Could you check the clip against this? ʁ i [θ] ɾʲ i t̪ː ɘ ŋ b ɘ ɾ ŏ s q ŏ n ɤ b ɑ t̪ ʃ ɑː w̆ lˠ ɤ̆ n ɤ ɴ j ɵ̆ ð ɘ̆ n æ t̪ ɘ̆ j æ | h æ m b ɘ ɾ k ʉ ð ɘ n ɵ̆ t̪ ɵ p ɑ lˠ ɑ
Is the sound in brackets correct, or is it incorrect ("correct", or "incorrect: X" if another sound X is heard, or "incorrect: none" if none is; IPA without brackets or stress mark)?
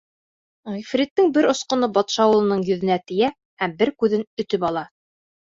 incorrect: f